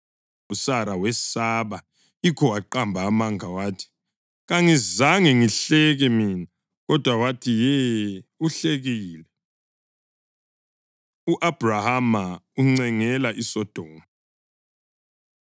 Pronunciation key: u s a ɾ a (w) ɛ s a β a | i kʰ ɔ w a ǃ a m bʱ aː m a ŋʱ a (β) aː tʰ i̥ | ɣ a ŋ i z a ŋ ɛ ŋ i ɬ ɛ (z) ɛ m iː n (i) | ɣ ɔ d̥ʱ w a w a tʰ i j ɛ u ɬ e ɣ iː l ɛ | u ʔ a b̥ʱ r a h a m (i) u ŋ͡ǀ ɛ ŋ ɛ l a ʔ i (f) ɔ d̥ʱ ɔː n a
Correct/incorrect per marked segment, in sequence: correct, incorrect: w, incorrect: ɣ, incorrect: a, incorrect: a, incorrect: s

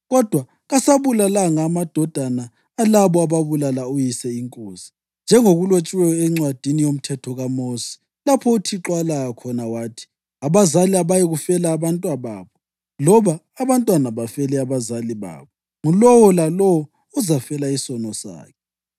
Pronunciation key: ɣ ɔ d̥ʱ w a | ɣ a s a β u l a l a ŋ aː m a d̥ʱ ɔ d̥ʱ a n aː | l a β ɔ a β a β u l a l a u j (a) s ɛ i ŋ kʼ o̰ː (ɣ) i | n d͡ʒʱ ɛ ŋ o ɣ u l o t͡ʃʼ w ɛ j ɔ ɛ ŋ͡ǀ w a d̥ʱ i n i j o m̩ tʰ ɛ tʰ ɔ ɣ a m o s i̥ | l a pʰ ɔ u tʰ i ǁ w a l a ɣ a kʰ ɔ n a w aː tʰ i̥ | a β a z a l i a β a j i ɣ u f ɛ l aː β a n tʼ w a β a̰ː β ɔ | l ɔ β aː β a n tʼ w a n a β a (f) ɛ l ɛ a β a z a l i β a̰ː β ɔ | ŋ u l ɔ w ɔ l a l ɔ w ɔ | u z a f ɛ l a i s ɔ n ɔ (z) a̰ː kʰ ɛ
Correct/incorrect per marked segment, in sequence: incorrect: i, incorrect: z, correct, incorrect: s

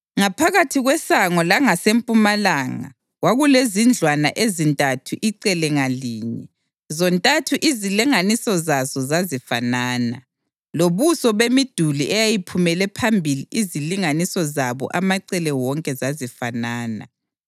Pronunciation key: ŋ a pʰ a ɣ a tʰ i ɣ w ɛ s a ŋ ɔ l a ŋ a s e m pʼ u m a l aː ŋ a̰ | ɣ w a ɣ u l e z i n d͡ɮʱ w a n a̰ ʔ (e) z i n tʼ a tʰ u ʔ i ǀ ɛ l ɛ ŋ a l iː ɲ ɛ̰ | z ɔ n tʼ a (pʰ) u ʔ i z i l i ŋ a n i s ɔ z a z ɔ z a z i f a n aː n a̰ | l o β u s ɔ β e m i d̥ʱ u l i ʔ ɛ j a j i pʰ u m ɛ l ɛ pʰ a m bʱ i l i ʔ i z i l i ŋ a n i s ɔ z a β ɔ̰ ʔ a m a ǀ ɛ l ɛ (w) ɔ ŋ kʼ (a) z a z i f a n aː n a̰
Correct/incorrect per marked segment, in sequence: correct, incorrect: tʰ, correct, incorrect: ɛ

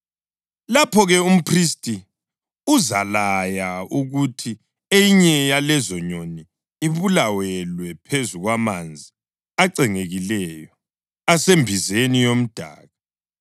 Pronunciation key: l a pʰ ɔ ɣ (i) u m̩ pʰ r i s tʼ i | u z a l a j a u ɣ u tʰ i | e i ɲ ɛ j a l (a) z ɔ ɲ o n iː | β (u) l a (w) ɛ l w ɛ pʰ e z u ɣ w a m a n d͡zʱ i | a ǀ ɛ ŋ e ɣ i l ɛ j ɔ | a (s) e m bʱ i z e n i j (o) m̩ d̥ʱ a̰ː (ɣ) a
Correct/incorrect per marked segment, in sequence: incorrect: ɛ, incorrect: ɛ, correct, correct, correct, correct, correct

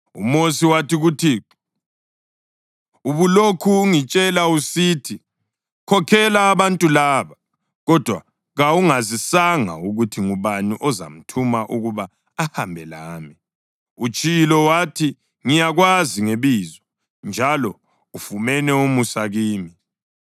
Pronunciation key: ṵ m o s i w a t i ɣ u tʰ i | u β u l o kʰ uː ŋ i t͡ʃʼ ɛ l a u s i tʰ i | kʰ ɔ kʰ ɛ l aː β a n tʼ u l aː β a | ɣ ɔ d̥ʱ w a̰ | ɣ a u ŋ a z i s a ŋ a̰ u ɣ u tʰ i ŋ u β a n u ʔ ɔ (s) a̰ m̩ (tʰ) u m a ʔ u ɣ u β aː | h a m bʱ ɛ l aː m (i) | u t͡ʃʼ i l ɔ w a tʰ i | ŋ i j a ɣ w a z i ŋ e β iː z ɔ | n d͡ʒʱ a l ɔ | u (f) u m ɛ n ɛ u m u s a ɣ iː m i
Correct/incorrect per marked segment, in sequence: incorrect: z, correct, correct, correct

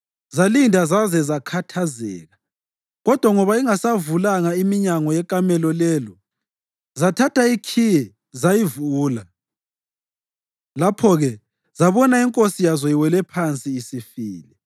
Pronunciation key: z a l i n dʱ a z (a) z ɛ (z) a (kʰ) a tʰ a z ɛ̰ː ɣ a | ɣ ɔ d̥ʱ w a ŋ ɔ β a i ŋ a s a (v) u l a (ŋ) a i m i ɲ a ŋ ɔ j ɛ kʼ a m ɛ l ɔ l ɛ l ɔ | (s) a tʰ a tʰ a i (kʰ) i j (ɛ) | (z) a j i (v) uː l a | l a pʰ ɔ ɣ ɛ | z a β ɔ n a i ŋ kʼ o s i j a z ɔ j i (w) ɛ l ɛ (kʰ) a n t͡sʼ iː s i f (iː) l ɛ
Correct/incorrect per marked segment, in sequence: correct, correct, correct, correct, correct, incorrect: z, correct, correct, correct, correct, correct, incorrect: pʰ, correct

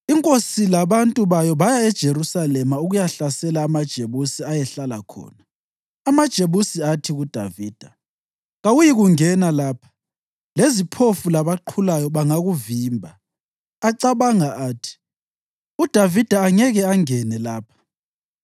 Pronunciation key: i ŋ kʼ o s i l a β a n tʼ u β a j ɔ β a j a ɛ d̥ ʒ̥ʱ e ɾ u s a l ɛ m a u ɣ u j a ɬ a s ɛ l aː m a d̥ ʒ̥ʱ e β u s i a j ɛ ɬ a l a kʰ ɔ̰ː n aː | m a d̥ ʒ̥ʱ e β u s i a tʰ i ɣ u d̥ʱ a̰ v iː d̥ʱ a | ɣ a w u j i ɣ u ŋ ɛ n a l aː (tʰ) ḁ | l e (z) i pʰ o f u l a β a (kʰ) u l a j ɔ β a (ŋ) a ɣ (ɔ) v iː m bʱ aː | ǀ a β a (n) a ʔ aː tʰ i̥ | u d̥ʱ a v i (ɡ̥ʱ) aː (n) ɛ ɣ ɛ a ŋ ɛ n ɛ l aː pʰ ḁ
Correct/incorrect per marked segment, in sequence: incorrect: pʰ, correct, incorrect: ǃʰ, correct, incorrect: u, incorrect: ŋ, incorrect: d̥ʱ, incorrect: ŋ

